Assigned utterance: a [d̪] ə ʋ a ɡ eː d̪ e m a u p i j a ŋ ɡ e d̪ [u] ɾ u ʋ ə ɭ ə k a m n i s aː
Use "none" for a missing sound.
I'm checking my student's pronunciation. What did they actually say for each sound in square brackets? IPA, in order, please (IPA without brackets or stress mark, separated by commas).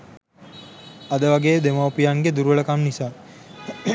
d̪, u